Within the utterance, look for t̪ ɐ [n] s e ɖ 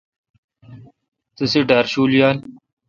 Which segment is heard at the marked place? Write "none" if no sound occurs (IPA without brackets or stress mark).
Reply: none